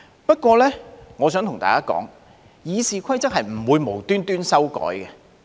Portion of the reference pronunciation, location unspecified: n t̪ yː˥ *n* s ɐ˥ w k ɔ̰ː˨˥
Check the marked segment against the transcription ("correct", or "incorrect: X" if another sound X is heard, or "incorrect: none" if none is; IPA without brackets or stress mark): correct